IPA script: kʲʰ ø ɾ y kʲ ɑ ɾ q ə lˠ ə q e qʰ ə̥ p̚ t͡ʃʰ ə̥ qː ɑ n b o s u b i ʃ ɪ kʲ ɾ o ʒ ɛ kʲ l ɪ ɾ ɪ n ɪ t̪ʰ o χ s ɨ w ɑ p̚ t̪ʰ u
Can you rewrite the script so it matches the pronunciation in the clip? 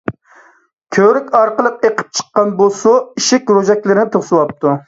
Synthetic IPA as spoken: kʲʰ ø ɾ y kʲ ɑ ɾ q ə lˠ ə q e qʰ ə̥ p̚ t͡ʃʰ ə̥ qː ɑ n b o s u i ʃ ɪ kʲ ɾ o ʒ ɛ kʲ l ɪ ɾ ɪ n ɪ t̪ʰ o χ s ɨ w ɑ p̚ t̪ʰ u